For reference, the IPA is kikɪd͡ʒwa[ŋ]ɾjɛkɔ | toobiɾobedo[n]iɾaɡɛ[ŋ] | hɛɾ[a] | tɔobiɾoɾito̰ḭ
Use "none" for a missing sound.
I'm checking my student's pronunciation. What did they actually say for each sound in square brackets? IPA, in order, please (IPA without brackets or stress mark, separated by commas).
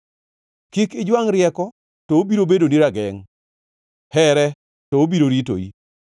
ŋ, n, ŋ, ɛ